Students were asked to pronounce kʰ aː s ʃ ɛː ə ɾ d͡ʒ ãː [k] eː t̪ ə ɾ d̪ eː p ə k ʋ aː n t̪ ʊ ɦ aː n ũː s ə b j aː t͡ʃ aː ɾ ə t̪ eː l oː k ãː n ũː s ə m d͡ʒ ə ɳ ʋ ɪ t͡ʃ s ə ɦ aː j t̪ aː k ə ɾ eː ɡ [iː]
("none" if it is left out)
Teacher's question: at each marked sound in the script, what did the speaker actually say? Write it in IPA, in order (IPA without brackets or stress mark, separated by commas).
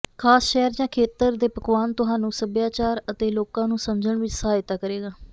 kʰ, aː